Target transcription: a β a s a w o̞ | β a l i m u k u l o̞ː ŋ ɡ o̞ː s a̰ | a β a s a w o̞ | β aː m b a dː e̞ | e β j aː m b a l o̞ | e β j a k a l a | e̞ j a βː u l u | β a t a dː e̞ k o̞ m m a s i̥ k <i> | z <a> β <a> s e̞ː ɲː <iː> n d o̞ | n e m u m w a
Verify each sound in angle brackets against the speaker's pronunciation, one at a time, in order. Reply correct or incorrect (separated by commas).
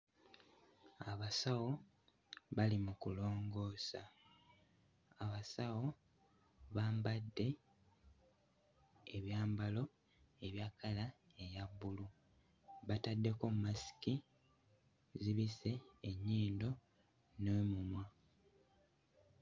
correct, incorrect, incorrect, correct